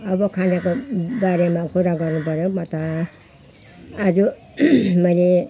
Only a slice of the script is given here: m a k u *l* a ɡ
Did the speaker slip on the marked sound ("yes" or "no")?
yes